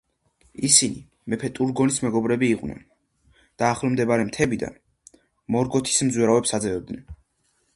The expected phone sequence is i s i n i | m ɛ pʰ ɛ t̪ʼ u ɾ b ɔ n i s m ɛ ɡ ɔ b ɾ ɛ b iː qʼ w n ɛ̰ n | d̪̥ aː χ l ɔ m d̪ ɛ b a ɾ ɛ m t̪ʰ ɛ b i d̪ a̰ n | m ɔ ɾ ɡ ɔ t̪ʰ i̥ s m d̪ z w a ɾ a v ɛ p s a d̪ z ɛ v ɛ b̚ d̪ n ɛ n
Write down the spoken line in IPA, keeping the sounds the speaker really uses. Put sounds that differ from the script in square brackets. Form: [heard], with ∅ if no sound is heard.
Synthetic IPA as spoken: i s i n i | m ɛ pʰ ɛ t̪ʼ u ɾ [ɡ] ɔ n i s m ɛ ɡ ɔ b ɾ ɛ b iː qʼ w n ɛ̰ n | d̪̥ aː χ l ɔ m d̪ ɛ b a ɾ ɛ m t̪ʰ ɛ b i d̪ a̰ n | m ɔ ɾ ɡ ɔ t̪ʰ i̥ s m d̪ z w [ɛ] ɾ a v ɛ p s a d̪ z ɛ v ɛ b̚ d̪ n ɛ n